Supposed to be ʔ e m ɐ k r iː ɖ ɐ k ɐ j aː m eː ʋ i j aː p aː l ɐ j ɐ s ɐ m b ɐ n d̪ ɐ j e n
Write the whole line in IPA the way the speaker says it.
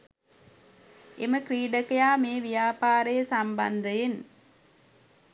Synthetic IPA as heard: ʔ e m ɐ k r iː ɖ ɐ k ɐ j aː m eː ʋ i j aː p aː ɾ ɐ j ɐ s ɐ m b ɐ n d̪ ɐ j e n